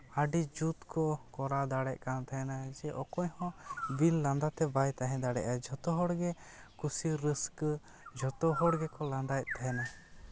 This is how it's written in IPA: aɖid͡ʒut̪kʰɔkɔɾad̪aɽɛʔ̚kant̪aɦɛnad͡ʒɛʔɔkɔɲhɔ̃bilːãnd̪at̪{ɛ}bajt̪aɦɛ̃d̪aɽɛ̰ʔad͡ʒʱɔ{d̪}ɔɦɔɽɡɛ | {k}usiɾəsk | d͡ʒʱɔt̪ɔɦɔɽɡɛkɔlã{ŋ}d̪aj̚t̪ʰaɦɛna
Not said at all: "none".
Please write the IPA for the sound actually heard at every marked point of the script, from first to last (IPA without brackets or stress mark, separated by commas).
ɛ, t̪, k, n